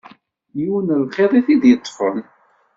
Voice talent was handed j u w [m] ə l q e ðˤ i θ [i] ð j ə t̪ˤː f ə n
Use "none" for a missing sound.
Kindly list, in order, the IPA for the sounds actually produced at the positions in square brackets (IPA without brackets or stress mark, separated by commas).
n, i